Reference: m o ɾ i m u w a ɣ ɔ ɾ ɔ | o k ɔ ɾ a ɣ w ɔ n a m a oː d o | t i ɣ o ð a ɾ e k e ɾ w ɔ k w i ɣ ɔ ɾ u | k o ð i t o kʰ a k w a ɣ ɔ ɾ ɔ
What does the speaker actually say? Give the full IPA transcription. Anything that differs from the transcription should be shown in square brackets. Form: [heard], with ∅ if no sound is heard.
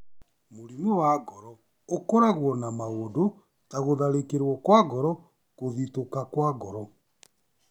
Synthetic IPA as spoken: m o ɾ i m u w a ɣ ɔ ɾ ɔ | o k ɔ ɾ a ɣ w ɔ n a m a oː d o | t [a] ɣ o ð a ɾ e k e ɾ w ɔ k w [a] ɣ ɔ ɾ [ɔ] | k o ð i t o [k] a k w a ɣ ɔ ɾ ɔ